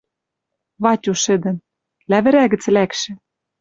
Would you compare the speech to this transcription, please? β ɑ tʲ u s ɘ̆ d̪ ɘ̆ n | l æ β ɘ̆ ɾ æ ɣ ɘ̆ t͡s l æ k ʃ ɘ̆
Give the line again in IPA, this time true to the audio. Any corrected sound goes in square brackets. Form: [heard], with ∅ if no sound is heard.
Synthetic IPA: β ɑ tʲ u [ʃ] ɘ̆ d̪ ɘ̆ n | l æ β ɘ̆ ɾ æ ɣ ɘ̆ t͡s l æ k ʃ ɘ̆